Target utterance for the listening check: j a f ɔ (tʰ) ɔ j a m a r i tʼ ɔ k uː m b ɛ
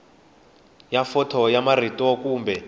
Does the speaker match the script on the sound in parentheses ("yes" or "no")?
yes